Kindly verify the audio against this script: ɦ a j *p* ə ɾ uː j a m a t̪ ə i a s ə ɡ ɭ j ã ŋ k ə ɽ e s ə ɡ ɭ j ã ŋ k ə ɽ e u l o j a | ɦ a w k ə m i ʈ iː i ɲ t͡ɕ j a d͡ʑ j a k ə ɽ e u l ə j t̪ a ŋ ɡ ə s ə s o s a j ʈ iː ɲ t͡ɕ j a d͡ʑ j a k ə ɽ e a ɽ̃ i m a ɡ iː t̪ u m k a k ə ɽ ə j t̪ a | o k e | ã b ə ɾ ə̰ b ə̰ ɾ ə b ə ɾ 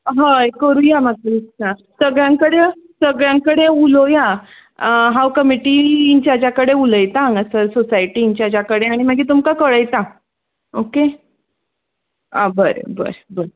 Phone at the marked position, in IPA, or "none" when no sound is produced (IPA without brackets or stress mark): k